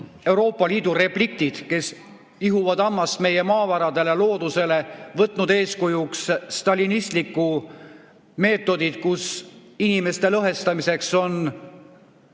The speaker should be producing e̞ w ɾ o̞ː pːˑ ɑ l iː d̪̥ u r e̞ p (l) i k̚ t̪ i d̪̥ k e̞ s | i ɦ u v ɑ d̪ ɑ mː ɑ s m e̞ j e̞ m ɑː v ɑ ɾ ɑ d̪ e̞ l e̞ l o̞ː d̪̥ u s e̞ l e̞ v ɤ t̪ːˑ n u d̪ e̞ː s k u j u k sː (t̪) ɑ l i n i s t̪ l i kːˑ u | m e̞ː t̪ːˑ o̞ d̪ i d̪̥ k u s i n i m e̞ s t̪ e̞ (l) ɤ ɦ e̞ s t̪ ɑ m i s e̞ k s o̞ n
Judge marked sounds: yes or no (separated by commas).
yes, yes, yes